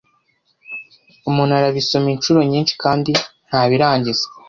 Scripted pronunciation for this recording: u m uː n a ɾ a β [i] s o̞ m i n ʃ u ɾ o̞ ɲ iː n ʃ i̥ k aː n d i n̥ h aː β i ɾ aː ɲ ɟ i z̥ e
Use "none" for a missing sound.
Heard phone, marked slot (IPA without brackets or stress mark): i